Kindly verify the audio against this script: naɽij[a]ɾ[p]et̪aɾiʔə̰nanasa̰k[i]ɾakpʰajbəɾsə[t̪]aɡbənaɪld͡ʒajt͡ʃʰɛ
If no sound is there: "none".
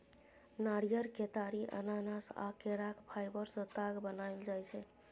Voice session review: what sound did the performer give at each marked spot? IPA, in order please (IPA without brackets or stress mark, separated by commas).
ə, k, e, t̪